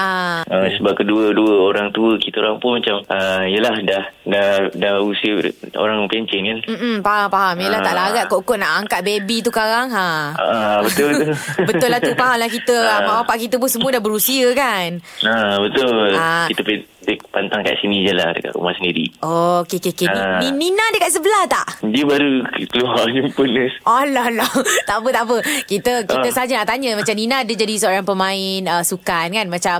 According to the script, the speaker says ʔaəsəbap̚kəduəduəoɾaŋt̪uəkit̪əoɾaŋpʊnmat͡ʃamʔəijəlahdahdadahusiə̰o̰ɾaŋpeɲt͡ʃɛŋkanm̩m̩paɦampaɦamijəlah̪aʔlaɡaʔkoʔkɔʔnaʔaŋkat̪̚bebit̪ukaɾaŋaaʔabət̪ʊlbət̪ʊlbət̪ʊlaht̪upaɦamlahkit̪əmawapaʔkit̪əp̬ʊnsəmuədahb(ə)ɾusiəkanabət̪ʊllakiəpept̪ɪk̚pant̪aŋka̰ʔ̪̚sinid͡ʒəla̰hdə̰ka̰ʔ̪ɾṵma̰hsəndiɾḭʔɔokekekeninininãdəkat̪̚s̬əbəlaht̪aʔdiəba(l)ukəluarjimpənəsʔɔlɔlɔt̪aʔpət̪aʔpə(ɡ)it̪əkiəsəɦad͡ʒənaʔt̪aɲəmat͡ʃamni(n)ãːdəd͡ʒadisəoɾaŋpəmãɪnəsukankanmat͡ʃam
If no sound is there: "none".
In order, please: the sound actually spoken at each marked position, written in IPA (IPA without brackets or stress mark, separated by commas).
ə, ɾ, k, n